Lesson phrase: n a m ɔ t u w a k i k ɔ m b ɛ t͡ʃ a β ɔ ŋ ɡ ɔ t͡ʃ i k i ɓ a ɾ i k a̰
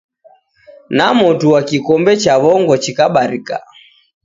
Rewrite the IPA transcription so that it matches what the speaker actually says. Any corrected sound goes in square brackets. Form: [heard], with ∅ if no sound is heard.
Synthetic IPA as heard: n a m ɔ t u w a k i k ɔ m b ɛ t͡ʃ a β ɔ ŋ ɡ ɔ t͡ʃ i k [a] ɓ a ɾ i k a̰